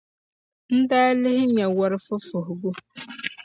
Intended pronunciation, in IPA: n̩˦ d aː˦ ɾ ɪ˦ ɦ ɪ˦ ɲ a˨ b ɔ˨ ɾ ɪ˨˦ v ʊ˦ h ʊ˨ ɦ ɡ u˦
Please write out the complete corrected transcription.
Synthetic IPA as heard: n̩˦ d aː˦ l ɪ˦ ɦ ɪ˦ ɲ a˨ w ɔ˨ ɾ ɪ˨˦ f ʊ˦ f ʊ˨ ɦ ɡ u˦